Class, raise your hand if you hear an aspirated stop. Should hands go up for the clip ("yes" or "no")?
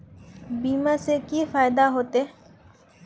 no